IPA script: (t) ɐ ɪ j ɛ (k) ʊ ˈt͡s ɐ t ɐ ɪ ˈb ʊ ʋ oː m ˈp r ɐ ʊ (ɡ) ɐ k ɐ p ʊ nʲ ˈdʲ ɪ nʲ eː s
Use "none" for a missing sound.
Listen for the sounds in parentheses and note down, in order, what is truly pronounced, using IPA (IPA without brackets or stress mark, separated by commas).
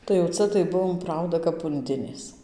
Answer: t, none, d